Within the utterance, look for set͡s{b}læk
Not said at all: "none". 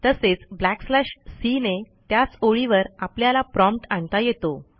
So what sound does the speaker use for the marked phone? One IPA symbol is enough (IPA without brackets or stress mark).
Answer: b